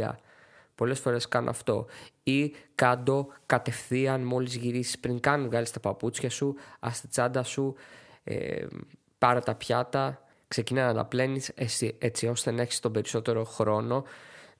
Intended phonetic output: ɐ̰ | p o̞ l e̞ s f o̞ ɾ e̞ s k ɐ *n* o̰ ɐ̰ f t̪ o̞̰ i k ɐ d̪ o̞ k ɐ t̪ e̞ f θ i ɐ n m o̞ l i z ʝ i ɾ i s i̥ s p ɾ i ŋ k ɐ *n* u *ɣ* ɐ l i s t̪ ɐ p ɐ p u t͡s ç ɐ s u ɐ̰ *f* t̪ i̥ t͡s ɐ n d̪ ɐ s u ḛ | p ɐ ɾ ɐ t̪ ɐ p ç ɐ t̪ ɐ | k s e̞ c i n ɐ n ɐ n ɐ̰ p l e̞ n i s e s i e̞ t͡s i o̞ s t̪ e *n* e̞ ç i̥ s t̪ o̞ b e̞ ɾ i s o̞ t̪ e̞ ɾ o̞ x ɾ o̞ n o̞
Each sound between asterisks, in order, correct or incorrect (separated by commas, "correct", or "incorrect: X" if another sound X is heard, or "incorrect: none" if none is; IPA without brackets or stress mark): correct, correct, correct, incorrect: s, correct